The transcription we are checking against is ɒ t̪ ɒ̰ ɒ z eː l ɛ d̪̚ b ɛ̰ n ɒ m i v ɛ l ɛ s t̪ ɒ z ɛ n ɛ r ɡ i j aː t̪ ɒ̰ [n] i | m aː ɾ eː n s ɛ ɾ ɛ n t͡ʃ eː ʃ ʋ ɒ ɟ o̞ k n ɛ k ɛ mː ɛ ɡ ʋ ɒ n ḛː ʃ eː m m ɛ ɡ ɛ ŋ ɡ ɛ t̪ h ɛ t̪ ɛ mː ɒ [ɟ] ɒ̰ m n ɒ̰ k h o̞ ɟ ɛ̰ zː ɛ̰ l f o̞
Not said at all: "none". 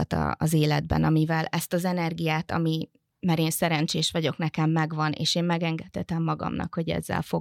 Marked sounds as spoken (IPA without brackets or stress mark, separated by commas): m, ɡ